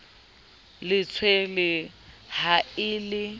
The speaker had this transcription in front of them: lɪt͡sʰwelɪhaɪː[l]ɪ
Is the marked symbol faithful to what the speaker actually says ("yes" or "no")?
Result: yes